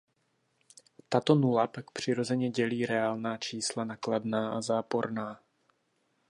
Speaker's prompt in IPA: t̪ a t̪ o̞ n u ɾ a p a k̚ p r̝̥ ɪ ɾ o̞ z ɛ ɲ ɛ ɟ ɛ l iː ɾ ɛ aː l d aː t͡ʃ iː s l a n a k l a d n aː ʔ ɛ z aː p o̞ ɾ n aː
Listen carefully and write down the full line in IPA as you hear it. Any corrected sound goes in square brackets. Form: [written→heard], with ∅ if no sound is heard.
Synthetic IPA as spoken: t̪ a t̪ o̞ n u [ɾ→l] a p a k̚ p r̝̥ ɪ ɾ o̞ z ɛ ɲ ɛ ɟ ɛ l iː ɾ ɛ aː l [d→n] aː t͡ʃ iː s l a n a k l a d n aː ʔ [ɛ→a] z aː p o̞ ɾ n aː